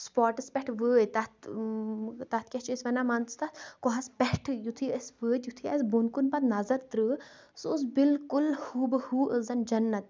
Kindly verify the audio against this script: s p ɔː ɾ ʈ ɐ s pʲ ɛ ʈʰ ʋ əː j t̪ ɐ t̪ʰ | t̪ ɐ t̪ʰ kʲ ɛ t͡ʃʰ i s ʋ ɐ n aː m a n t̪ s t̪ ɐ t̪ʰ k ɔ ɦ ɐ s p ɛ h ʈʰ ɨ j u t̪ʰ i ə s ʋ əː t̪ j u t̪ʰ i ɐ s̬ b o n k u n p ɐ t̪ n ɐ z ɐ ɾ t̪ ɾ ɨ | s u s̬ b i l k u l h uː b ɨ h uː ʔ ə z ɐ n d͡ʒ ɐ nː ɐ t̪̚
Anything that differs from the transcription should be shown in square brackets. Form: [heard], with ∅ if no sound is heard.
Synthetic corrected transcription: s p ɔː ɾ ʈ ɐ s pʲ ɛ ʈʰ ʋ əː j t̪ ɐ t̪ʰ | t̪ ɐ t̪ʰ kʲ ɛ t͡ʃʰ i s ʋ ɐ n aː m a n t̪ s t̪ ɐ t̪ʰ k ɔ ɦ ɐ s p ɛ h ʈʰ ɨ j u t̪ʰ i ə s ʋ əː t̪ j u t̪ʰ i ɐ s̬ b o n k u n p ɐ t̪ n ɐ z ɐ ɾ t̪ ɾ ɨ | s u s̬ b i l k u l h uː b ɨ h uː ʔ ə z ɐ n d͡ʒ ɐ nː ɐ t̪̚